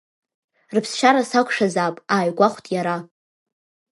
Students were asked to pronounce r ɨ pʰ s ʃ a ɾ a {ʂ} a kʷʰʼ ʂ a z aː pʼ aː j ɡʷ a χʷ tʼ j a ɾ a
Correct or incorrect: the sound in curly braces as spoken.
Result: incorrect: s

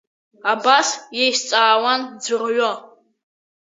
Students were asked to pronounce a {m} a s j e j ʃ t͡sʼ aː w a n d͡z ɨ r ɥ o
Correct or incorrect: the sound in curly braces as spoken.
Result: incorrect: b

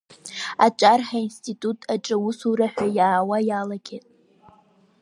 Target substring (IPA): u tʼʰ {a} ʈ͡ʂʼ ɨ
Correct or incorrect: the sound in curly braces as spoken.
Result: correct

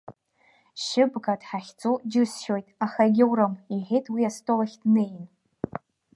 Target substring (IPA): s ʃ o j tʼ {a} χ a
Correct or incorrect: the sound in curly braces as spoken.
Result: correct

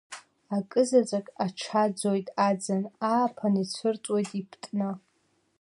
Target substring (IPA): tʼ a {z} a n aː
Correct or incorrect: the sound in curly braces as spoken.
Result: incorrect: d͡z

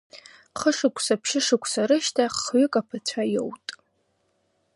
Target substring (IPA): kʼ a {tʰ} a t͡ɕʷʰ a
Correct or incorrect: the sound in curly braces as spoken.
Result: incorrect: pʰ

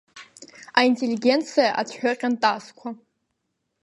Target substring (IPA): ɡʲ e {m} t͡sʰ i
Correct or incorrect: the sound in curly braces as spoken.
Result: incorrect: n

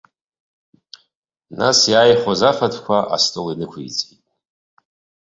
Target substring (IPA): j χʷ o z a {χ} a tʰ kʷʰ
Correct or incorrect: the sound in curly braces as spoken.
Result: incorrect: f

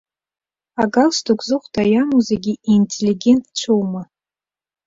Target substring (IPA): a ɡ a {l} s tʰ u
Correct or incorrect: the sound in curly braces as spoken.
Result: correct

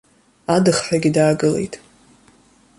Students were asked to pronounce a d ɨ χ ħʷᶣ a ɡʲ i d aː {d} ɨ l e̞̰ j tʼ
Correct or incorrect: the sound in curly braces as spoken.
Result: incorrect: ɡ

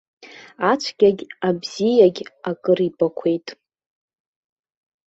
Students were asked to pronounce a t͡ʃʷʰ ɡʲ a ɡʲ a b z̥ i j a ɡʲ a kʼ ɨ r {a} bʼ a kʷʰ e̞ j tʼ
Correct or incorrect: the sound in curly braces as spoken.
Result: incorrect: i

